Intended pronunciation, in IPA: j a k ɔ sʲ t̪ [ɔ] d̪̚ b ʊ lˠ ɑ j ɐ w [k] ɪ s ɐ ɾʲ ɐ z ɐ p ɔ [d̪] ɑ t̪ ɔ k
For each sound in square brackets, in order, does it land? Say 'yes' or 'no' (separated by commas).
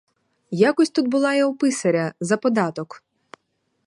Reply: no, no, yes